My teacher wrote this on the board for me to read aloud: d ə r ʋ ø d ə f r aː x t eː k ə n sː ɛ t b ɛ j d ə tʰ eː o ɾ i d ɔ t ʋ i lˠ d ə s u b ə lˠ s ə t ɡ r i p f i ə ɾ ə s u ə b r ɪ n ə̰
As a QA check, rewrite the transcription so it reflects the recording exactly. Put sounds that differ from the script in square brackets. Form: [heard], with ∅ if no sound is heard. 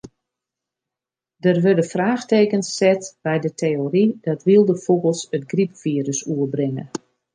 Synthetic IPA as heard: d ə r ʋ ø d ə f r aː x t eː k ə n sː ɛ t b ɛ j d ə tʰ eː o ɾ i d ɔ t ʋ i lˠ d ə [f] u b ə lˠ s ə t ɡ r i p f i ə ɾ ə s u ə b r ɪ [ŋ] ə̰